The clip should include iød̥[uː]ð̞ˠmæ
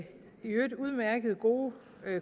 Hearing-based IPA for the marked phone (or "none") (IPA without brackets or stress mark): u